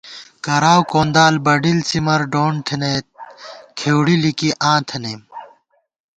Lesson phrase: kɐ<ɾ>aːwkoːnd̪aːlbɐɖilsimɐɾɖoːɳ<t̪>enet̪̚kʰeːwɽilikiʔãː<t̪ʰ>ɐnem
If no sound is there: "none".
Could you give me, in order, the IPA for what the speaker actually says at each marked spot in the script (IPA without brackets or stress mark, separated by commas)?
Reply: ɾ, t̪ʰ, t̪ʰ